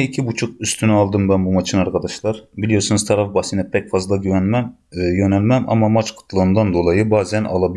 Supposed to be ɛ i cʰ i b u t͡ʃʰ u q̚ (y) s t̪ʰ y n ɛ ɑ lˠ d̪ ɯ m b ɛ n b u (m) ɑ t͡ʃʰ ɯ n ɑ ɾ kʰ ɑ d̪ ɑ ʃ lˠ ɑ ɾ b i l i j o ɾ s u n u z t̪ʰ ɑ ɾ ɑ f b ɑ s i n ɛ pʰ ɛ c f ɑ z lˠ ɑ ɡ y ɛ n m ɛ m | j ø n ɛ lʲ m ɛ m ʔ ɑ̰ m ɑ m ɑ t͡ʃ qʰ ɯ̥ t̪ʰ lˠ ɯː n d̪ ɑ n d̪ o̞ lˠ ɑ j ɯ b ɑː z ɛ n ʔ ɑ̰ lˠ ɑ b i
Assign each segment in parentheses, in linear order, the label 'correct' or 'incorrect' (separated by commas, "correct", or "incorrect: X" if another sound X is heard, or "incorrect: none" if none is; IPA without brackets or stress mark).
correct, correct